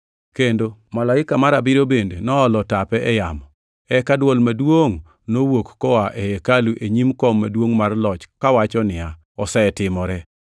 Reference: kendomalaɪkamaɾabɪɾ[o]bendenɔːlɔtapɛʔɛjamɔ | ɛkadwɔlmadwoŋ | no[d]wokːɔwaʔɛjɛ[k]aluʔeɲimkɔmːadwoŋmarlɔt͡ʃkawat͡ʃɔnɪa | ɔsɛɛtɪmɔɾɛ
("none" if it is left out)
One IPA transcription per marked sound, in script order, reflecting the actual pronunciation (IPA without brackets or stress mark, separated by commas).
o, none, k